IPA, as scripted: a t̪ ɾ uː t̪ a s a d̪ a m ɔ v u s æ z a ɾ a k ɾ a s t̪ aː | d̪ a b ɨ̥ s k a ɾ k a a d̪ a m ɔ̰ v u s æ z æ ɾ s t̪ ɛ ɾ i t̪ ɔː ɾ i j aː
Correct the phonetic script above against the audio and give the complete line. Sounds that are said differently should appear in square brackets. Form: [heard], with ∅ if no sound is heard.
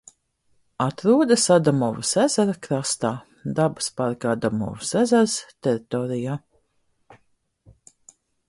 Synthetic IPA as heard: a t̪ ɾ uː [d̪] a s a d̪ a m ɔ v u s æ z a ɾ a k ɾ a s t̪ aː | d̪ a b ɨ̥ s [p] a ɾ k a a d̪ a m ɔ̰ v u s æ z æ ɾ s t̪ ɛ ɾ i t̪ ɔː ɾ i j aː